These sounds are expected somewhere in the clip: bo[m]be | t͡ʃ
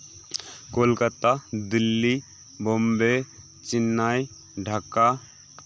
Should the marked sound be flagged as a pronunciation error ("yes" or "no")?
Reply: no